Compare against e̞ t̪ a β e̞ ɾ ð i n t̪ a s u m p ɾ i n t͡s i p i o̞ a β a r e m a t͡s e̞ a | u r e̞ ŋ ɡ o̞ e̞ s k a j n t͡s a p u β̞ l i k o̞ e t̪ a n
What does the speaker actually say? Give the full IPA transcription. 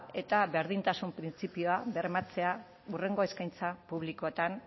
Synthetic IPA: e̞ t̪ a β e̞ ɾ ð i n t̪ a s u m p ɾ i n t͡s i p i o̞ a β e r e m a t͡s e̞ a | u r e̞ ŋ ɡ o̞ e̞ s k a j n t͡s a p u β̞ l i k o̞ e t̪ a n